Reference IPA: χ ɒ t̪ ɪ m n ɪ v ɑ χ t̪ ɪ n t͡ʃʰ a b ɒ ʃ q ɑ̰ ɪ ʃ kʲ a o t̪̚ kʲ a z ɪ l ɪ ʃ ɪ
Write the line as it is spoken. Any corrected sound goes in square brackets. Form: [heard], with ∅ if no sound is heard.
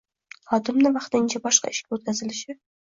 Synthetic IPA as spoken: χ ɒ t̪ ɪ m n ɪ v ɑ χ t̪ ɪ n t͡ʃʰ a b ɒ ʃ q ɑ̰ ɪ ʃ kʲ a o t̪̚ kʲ a z ɪ l ɪ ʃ ɪ